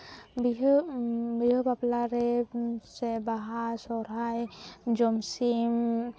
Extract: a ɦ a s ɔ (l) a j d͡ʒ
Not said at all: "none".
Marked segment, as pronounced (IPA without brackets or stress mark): ɾ